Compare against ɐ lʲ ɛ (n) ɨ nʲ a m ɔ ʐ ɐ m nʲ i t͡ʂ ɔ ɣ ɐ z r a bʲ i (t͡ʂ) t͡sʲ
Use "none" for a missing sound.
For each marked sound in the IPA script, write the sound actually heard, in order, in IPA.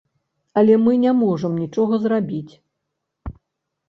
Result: m, none

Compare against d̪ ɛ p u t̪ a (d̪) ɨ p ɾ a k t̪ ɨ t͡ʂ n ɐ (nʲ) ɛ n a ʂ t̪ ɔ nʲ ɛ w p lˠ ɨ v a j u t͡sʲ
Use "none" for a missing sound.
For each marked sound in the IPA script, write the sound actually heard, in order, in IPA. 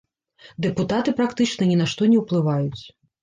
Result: t̪, nʲ

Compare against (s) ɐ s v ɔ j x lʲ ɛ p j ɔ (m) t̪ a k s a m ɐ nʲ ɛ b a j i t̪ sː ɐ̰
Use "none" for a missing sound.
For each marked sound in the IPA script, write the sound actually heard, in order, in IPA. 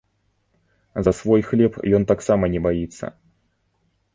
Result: z, n

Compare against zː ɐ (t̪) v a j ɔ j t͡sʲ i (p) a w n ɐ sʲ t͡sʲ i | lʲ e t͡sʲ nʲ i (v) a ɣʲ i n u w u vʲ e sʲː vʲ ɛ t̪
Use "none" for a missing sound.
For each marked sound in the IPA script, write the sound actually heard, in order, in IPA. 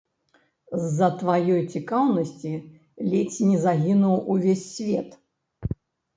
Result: t̪, k, z

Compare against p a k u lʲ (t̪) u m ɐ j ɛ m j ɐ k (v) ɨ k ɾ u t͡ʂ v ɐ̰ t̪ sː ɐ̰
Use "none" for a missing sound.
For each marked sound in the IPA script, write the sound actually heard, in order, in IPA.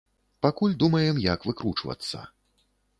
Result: d̪, v

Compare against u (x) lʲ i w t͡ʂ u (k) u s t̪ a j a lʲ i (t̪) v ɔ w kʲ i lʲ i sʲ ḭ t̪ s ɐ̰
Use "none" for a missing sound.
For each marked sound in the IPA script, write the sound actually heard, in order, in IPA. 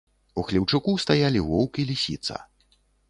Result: x, k, none

